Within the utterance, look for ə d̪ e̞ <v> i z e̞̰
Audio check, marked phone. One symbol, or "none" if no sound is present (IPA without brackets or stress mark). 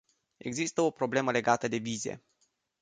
v